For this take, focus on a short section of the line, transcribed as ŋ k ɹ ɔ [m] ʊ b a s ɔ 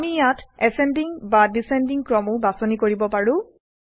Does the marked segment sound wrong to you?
no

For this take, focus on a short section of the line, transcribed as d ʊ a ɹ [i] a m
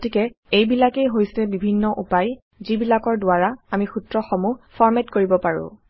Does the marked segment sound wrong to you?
yes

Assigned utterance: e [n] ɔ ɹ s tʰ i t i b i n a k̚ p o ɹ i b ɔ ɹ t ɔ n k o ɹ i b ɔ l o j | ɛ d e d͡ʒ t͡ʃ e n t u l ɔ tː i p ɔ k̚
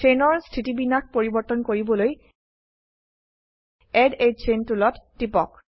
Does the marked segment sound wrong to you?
no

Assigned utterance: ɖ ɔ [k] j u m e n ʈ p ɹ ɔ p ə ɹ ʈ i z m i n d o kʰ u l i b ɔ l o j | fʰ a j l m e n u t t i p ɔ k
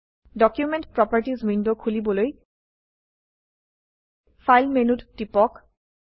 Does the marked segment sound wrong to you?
no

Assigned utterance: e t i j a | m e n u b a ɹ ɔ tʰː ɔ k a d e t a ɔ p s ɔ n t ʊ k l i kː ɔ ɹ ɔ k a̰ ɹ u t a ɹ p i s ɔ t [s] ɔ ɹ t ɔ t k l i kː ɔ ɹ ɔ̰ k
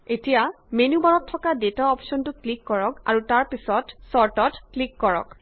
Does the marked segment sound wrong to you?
no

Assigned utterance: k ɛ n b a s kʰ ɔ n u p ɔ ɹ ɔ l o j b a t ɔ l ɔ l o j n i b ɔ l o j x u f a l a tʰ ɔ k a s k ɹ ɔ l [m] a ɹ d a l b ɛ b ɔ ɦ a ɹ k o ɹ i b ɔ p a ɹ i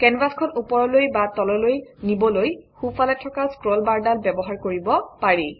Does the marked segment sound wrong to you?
yes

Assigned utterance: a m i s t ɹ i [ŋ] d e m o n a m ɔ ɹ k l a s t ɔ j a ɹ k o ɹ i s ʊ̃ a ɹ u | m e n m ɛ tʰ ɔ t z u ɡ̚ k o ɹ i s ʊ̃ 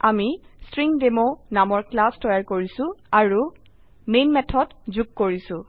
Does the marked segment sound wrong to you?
no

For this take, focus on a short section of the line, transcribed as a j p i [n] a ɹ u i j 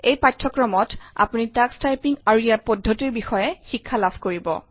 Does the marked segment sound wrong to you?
yes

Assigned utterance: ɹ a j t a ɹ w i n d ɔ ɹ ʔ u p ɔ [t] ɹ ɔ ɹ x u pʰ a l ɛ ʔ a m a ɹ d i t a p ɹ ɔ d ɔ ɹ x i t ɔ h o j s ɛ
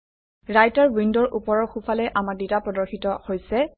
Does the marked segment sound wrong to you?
yes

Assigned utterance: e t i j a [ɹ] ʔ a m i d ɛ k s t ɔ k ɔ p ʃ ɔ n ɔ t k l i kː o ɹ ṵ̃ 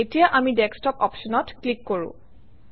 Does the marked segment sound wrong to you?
yes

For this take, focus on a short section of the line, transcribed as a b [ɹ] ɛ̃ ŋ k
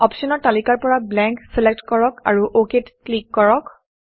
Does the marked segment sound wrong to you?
yes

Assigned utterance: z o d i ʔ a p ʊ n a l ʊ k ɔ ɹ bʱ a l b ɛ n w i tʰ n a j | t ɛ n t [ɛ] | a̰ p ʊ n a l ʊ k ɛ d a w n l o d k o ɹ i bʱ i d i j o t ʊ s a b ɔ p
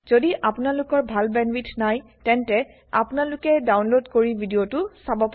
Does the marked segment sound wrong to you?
no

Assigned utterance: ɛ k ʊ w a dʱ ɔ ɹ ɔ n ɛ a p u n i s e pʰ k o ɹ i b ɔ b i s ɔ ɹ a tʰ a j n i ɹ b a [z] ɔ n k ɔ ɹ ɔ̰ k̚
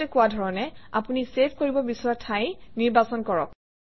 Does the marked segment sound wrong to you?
yes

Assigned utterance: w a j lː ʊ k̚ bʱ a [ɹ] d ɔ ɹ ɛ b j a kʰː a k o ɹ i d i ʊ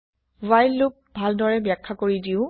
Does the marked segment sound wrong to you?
yes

